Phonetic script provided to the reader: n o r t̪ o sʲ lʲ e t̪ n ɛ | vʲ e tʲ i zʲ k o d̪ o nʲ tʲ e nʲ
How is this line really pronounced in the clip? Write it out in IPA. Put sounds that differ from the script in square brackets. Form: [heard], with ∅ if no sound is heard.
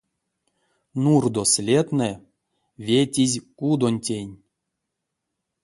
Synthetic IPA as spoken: n [u] r [d̪] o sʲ lʲ e t̪ n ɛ | vʲ e tʲ i zʲ k [u] d̪ o nʲ tʲ e nʲ

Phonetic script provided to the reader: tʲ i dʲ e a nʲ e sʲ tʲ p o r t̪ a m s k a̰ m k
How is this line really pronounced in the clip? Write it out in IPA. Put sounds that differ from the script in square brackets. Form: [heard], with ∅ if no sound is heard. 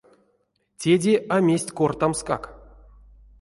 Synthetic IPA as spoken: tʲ [e] dʲ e a [mʲ] e sʲ tʲ [k] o r t̪ a m s k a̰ [∅] k

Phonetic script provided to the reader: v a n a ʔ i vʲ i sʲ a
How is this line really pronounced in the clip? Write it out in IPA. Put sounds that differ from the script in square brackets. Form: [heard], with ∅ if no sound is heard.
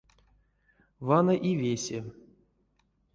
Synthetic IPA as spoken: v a n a ʔ i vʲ [e] sʲ [e]

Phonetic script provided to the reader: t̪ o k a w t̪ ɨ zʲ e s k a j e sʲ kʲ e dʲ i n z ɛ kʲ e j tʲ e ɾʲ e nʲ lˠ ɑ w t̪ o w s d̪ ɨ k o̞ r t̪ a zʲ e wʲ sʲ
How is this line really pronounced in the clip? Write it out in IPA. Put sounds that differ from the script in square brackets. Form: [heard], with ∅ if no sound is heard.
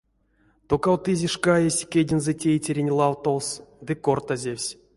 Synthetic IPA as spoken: t̪ o k a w t̪ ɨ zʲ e [ʂ] k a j e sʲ kʲ e dʲ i n z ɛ [tʲ] e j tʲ e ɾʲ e nʲ lˠ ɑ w t̪ o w s d̪ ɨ k o̞ r t̪ a zʲ e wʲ sʲ

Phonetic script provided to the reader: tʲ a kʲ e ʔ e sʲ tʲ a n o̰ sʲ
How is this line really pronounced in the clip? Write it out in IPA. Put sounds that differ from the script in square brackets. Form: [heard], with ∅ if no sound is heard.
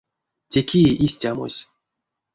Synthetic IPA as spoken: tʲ [e] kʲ [i] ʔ [i] sʲ tʲ a [m] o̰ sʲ

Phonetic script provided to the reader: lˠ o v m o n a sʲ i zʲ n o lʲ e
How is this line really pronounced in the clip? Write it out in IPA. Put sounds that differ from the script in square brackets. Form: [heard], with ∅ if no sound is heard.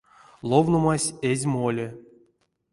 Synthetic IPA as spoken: lˠ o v [n] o [m] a sʲ [e] zʲ [m] o lʲ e

